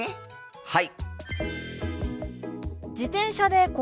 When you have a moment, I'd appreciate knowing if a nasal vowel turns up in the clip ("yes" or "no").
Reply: yes